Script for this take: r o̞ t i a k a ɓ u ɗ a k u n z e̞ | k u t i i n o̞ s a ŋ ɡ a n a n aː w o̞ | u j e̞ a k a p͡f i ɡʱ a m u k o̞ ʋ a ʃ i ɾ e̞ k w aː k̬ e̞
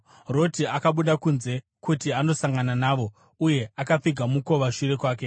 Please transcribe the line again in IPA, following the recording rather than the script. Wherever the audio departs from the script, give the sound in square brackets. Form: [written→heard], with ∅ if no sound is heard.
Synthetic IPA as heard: r o̞ t i a k a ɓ u ɗ a k u n z e̞ | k u t i [i→a] n o̞ s a ŋ ɡ a n a n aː [w→ʋ] o̞ | u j e̞ a k a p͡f i ɡʱ a m u k o̞ ʋ a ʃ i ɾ e̞ k w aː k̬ e̞